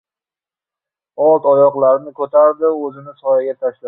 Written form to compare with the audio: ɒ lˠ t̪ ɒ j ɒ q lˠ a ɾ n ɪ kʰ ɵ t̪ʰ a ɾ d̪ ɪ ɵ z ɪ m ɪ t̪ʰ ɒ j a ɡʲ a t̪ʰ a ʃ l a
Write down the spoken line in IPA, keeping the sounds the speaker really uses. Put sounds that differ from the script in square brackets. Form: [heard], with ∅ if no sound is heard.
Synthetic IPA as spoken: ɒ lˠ t̪ ɒ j ɒ q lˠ a ɾ n ɪ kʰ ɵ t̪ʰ a ɾ d̪ ɪ ɵ z ɪ [n] ɪ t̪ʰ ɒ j a ɡʲ a t̪ʰ a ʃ l a